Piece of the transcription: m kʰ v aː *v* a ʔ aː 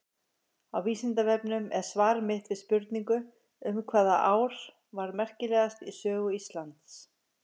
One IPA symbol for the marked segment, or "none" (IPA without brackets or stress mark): ð